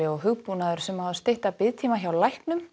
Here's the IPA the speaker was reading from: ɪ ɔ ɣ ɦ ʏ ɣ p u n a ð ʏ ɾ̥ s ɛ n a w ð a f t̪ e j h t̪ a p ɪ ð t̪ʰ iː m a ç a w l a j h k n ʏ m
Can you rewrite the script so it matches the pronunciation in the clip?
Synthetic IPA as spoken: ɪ ɔ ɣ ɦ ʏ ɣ p u n a ð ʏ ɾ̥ s ɛ m a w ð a s t̪ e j h t̪ a p ɪ ð t̪ʰ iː m a ç a w l a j h k n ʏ m